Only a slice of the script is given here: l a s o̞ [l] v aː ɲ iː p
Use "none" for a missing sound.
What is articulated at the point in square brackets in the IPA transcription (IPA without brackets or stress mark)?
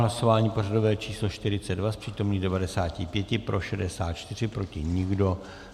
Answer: none